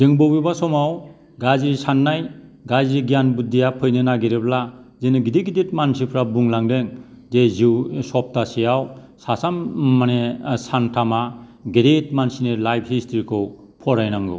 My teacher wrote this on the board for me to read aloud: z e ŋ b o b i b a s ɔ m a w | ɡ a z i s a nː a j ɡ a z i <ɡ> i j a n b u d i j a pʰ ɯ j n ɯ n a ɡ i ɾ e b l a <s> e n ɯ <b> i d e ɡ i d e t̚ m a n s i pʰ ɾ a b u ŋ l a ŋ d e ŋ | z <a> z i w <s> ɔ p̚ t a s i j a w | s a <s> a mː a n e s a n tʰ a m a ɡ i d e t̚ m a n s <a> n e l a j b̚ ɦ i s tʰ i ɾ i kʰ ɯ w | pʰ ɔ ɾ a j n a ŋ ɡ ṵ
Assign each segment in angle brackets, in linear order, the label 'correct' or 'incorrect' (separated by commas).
correct, incorrect, incorrect, incorrect, correct, correct, incorrect